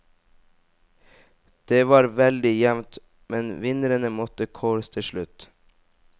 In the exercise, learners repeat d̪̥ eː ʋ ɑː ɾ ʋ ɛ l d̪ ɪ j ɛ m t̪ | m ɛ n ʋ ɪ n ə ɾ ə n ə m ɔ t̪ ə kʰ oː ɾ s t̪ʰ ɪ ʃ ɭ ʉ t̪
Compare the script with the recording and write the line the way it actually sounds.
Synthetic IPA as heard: d̪̥ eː ʋ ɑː ɾ ʋ ɛ l d̪ ɪ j ɛ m t̪ | m ɛ n ʋ ɪ n ə ɾ ə n ə m ɔ t̪ ə kʰ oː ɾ s t̪ʰ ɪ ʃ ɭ ʉ t̪